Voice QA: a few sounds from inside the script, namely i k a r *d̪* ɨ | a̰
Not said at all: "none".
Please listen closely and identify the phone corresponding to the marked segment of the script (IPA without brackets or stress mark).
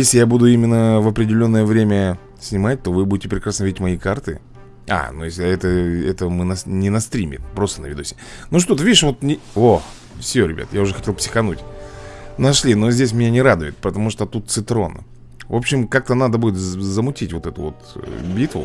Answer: t̪